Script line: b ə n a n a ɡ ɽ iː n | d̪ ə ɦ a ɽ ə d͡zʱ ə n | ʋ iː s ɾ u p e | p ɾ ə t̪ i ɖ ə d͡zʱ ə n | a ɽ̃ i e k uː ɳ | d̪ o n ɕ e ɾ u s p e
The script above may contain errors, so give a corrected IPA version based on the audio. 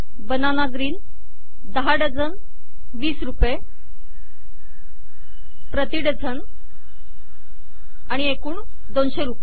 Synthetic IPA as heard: b ə n a n a ɡ ɾ iː n | d̪ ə ɦ a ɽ ə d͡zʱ ə n | ʋ iː s ɾ u p e | p ɾ ə t̪ i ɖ ə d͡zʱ ə n | a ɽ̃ i e k uː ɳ | d̪ o n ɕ e ɾ u p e